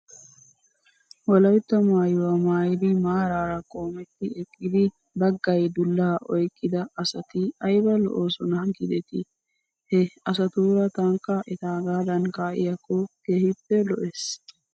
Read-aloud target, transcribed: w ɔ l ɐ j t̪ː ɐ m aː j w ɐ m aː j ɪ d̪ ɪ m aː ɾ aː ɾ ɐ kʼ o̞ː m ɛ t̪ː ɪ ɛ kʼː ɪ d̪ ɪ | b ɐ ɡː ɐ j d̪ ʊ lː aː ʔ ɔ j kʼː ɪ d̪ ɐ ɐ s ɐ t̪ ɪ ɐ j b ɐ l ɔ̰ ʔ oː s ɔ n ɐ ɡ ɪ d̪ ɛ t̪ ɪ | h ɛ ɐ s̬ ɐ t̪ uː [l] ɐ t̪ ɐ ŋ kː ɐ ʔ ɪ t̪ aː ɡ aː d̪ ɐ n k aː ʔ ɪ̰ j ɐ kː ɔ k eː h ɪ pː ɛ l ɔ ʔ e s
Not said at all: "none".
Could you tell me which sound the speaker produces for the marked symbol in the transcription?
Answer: ɾ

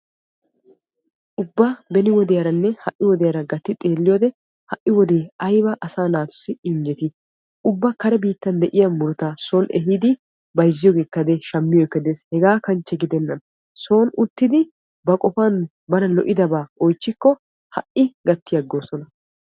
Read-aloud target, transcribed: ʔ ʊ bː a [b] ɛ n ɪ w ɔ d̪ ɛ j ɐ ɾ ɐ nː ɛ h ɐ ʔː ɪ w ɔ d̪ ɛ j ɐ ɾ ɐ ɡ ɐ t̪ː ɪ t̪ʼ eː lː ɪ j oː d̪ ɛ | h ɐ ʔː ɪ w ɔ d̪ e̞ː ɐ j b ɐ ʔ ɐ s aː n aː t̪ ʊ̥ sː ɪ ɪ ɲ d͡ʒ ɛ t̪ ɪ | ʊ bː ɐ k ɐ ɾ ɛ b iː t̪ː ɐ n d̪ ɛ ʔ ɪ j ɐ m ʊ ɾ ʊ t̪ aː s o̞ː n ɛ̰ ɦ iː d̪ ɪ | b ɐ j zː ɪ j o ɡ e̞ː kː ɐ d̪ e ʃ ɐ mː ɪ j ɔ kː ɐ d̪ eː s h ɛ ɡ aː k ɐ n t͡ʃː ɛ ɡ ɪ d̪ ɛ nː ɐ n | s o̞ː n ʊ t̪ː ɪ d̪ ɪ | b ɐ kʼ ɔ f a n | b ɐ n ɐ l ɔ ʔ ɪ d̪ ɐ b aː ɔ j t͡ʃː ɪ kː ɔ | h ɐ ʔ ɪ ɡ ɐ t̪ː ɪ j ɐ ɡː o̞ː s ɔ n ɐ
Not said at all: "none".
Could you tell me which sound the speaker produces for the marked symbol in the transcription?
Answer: b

